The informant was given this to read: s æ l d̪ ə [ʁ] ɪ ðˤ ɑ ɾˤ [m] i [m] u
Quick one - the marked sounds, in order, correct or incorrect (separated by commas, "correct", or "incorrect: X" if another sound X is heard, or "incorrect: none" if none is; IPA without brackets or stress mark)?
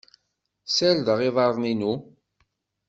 correct, incorrect: n, incorrect: n